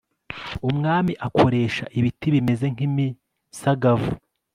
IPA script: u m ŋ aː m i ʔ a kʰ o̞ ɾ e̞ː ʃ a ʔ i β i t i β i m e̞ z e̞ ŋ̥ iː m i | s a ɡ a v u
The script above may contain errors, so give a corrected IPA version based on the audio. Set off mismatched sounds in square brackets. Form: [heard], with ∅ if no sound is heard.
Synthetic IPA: u m ŋ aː m i ʔ a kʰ o̞ ɾ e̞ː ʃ a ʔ i β i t i β i m e̞ z e̞ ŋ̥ [i] m i | s a ɡ a v u